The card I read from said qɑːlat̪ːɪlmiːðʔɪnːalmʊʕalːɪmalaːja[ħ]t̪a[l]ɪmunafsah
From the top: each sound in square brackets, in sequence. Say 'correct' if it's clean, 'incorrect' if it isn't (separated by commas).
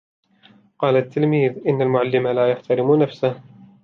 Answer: correct, incorrect